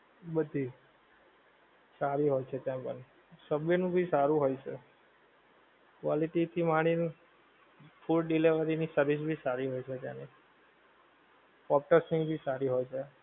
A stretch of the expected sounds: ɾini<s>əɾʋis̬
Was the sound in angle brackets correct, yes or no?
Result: yes